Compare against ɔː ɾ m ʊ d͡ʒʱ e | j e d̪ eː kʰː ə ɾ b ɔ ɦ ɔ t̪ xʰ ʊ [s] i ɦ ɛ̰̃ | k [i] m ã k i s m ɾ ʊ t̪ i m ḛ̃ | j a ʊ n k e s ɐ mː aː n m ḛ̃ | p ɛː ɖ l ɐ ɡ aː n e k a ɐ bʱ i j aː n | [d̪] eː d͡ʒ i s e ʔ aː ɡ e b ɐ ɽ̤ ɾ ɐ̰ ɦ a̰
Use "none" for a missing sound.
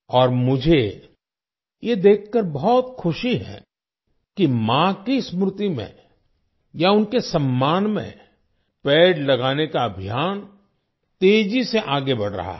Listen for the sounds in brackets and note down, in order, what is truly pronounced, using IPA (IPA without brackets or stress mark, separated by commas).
ʃ, i, t̪